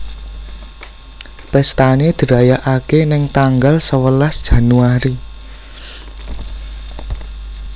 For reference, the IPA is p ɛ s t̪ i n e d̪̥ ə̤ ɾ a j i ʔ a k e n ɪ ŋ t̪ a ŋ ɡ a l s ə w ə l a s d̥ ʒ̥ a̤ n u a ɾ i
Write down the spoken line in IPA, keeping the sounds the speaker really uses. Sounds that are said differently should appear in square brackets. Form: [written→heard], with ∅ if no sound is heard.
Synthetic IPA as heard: p ɛ s t̪ [i→a] n e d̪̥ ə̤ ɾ a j [i→a] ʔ a k e n ɪ ŋ t̪ a ŋ ɡ a l s ə w ə l a s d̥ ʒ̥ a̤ n u a ɾ i